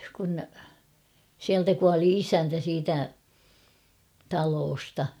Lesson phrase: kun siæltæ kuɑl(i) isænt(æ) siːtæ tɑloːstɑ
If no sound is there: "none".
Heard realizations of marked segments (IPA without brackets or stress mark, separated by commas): i, æ